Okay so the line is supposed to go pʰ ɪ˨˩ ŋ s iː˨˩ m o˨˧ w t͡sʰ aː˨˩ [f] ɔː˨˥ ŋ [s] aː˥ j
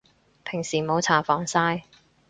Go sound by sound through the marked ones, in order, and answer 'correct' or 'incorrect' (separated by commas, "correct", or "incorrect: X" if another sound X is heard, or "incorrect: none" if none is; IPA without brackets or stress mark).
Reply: correct, correct